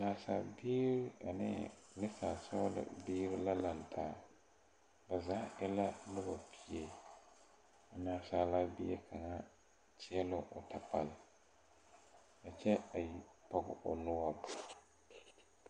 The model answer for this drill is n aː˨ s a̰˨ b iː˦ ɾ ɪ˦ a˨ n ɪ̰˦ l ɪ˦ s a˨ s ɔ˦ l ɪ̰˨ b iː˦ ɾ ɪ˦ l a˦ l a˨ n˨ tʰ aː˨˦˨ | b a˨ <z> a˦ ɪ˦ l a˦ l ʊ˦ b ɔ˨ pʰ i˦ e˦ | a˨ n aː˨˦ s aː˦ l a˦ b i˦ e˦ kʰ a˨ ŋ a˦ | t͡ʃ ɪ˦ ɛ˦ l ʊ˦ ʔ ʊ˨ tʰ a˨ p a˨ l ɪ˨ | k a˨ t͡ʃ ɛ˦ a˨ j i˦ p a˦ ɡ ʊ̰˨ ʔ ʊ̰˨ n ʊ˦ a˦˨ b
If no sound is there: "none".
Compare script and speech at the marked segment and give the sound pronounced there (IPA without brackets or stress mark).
z